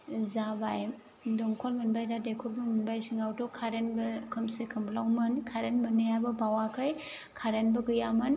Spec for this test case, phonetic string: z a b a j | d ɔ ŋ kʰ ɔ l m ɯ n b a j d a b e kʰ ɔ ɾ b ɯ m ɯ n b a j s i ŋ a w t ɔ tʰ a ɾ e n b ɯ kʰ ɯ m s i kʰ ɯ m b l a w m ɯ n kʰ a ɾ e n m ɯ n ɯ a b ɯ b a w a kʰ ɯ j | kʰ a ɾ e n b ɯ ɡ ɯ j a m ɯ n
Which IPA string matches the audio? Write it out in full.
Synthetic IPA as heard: z a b a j | d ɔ ŋ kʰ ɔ l m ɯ n b a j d a d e kʰ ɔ ɾ b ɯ m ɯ n b a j s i ŋ a w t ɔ kʰ a ɾ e n b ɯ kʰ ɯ m s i kʰ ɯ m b l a w m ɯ n kʰ a ɾ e n m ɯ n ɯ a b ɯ b a w a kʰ ɯ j | kʰ a ɾ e n b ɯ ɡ ɯ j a m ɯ n